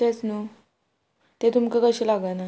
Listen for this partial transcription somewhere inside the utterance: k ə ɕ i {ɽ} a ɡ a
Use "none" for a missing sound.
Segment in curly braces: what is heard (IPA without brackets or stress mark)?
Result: l